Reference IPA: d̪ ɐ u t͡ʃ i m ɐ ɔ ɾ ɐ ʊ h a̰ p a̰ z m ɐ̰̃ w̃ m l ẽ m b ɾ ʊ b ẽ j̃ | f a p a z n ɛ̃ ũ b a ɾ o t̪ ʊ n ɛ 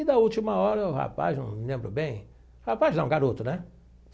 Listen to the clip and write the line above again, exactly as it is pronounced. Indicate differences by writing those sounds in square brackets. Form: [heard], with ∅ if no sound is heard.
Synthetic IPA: d̪ ɐ u t͡ʃ i m ɐ ɔ ɾ ɐ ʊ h a̰ p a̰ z [n] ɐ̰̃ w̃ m l ẽ m b ɾ ʊ b ẽ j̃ | [h] a p a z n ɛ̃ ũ [ɡ] a ɾ o t̪ ʊ n ɛ